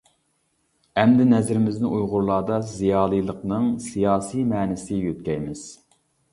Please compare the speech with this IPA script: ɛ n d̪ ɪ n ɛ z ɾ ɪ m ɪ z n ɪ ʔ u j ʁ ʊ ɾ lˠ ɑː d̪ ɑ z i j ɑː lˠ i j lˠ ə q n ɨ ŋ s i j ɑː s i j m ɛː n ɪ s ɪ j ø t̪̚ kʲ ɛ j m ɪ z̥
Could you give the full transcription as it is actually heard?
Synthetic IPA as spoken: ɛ m d̪ ɪ n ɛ z ɾ ɪ m ɪ z n ɪ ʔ u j ʁ ʊ ɾ lˠ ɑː d̪ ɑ z i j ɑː lˠ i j lˠ ə q n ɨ ŋ s i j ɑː s i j m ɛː n ɪ s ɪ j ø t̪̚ kʲ ɛ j m ɪ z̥